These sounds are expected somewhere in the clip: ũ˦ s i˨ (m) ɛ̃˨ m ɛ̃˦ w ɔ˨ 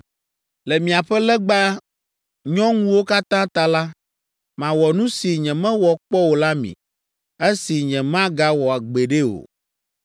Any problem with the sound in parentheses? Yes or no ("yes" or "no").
yes